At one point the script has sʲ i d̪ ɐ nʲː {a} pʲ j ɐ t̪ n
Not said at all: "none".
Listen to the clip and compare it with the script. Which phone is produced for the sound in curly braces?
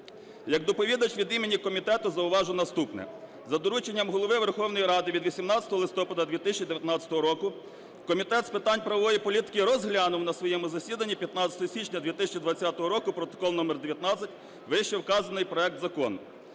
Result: i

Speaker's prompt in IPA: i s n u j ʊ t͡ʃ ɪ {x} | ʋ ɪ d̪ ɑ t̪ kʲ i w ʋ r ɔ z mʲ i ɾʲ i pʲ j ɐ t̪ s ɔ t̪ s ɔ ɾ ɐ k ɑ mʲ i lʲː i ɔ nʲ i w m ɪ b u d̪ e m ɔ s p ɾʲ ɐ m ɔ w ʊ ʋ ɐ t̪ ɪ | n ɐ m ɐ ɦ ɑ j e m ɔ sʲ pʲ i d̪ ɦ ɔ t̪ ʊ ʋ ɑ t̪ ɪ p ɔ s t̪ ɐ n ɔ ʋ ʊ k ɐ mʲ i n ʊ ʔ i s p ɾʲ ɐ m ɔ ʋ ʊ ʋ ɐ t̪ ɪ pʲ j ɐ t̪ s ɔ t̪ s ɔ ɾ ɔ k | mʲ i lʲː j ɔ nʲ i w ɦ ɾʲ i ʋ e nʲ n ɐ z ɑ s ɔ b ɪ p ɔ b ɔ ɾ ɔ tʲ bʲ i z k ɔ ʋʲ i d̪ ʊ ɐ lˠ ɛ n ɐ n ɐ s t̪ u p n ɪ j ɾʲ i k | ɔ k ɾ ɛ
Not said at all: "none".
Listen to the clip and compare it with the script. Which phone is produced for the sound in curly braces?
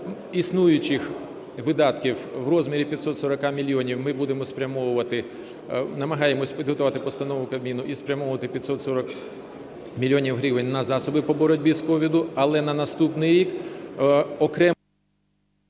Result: x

